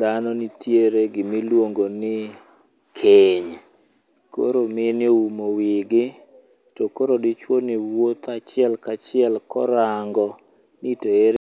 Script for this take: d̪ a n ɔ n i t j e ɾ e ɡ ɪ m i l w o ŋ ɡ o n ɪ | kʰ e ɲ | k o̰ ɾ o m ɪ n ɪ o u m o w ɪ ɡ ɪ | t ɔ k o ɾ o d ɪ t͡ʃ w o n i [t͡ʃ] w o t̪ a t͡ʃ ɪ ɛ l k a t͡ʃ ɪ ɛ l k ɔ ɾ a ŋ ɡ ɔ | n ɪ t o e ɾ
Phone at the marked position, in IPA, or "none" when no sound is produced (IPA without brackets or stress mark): none